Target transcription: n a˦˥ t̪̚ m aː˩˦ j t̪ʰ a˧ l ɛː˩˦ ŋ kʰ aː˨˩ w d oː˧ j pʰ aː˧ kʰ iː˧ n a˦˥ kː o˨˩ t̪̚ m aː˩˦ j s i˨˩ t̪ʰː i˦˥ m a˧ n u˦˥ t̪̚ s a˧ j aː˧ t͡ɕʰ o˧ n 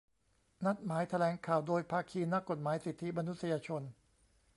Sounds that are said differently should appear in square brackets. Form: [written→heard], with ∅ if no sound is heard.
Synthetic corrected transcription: n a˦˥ t̪̚ m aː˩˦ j t̪ʰ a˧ l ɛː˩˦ ŋ kʰ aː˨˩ w d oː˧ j pʰ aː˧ kʰ iː˧ n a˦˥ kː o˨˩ t̪̚ m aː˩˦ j s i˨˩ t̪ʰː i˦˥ m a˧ n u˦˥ t̪̚ s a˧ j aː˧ t͡ɕʰ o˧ n